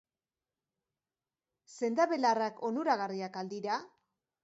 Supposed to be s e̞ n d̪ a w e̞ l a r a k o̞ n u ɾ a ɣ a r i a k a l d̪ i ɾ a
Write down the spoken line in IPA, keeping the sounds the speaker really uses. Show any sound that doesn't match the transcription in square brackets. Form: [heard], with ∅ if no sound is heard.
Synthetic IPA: s e̞ n d̪ a [β] e̞ l a r a k o̞ n u ɾ a ɣ a r i a k a l d̪ i ɾ a